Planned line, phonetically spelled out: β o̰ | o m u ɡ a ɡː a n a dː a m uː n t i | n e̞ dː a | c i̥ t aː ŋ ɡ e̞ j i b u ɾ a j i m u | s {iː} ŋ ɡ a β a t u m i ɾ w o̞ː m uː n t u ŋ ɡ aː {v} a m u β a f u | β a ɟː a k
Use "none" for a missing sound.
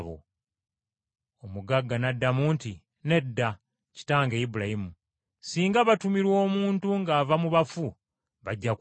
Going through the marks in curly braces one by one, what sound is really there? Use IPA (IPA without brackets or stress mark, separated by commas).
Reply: iː, v